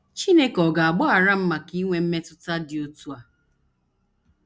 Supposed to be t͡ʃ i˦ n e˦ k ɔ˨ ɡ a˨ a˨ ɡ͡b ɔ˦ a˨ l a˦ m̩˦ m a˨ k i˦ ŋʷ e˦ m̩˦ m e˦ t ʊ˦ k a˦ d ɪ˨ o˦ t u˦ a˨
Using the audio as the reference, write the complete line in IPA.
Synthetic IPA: t͡ʃ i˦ n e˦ k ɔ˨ ɡ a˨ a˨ ɡ͡b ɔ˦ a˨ ɾ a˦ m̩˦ m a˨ k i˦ ŋʷ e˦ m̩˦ m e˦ t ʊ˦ t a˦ d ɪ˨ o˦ t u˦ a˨